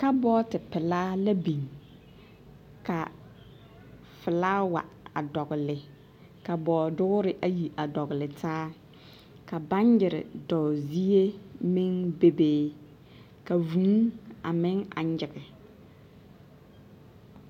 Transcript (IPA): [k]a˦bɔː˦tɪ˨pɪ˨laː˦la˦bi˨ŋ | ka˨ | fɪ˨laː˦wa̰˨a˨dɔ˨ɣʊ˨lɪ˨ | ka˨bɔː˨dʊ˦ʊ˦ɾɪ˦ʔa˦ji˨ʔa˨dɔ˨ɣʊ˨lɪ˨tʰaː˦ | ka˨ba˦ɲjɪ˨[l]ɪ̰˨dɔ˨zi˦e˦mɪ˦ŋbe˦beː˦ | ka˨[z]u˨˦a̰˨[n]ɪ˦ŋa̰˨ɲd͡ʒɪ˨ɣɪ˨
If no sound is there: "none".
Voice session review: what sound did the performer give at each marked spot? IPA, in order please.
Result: k, ɾ, v, m

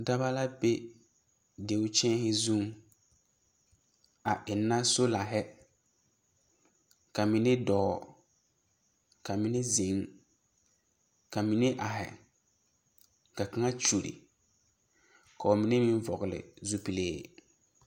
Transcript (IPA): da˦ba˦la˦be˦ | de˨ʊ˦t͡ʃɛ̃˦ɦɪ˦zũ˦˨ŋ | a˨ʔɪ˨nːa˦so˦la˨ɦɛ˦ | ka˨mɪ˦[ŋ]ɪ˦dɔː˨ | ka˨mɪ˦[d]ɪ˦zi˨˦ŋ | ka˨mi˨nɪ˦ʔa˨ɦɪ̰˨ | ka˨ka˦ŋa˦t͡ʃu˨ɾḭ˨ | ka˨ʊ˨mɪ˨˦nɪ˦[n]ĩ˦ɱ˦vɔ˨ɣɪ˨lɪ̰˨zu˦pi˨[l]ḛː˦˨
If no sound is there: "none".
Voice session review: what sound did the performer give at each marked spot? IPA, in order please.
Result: n, n, m, l

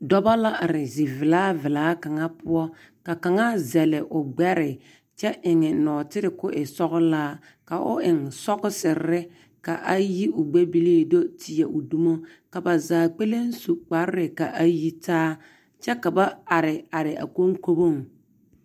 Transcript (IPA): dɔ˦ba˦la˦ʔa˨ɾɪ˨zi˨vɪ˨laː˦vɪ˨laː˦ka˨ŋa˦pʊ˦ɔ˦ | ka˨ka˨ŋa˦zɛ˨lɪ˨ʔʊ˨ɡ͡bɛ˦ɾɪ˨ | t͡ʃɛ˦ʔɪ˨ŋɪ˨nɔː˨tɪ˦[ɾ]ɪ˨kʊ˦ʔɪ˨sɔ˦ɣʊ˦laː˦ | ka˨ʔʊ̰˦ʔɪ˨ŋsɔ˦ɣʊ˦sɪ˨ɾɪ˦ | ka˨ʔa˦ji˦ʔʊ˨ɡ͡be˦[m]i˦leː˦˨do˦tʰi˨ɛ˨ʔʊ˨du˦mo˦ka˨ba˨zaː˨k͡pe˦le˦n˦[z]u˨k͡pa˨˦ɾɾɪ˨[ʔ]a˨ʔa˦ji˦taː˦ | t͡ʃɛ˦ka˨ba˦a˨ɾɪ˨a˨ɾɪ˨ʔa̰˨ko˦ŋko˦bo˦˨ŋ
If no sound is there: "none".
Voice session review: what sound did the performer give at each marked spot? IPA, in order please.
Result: ɾ, b, s, k

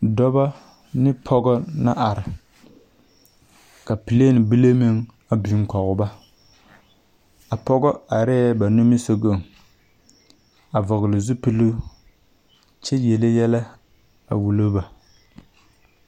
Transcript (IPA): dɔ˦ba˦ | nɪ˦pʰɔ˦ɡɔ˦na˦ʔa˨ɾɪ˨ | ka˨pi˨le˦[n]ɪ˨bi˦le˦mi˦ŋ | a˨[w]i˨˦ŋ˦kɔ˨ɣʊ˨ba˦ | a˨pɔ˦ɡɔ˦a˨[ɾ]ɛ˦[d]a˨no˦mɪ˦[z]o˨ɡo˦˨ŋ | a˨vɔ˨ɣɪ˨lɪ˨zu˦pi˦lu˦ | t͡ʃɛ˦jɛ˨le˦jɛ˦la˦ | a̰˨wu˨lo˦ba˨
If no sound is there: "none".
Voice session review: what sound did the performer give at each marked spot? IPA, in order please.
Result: n, b, ɾ, b, s

